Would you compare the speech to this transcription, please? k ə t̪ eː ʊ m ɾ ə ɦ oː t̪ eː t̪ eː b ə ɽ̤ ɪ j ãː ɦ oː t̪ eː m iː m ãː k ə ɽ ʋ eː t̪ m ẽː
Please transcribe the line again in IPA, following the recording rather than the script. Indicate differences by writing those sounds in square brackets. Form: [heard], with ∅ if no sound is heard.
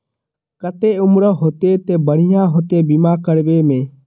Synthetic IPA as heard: k ə t̪ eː ʊ m ɾ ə ɦ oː t̪ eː t̪ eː b ə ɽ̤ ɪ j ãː ɦ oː t̪ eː [b] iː m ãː k ə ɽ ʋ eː [∅] m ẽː